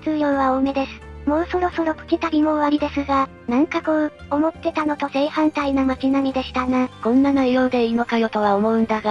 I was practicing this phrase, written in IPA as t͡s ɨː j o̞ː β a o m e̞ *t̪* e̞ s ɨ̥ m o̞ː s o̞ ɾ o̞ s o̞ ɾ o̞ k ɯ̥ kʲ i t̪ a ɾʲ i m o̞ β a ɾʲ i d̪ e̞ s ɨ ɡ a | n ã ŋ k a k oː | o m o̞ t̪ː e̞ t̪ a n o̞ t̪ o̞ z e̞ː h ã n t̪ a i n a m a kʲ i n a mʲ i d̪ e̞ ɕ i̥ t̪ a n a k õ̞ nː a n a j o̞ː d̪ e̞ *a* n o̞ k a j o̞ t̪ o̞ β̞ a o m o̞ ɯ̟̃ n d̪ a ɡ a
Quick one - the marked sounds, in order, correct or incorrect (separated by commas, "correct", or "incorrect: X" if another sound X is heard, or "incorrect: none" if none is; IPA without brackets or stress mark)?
incorrect: d̪, incorrect: i